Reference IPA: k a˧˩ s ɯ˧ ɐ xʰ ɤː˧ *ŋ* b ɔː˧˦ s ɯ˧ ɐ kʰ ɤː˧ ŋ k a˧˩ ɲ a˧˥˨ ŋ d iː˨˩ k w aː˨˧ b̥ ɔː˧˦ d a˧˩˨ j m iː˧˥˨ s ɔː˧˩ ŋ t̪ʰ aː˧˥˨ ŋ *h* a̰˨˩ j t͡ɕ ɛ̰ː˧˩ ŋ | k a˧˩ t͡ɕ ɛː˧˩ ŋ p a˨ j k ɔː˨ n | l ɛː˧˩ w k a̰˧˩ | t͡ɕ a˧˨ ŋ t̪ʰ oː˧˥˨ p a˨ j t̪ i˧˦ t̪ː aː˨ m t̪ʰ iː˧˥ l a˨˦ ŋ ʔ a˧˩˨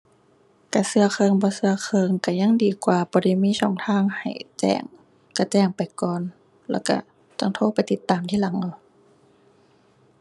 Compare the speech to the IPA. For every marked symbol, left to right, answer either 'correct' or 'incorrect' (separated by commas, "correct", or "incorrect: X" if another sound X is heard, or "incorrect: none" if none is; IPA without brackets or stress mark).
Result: correct, correct